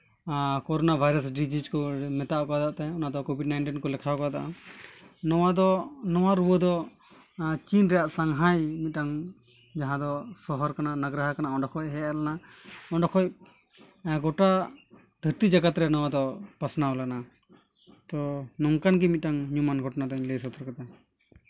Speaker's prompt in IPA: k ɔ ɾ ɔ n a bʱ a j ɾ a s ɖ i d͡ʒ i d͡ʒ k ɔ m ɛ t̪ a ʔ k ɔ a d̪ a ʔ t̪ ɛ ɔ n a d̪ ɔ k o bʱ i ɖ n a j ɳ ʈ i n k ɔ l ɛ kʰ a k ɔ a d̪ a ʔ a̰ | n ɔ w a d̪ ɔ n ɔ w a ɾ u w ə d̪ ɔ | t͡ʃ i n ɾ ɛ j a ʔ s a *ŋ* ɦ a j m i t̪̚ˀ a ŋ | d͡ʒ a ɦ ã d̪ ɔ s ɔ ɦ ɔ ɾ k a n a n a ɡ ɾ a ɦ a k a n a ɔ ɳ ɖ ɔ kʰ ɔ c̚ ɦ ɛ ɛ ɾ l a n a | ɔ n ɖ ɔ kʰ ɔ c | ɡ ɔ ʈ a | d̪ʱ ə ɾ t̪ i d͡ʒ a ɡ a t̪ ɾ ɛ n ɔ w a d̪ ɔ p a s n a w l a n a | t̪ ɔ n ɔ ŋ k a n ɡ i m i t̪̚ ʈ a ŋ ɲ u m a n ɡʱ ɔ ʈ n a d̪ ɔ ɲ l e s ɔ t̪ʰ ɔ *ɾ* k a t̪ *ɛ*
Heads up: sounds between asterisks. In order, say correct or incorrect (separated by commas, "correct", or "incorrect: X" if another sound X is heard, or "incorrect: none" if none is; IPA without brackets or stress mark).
correct, correct, incorrect: a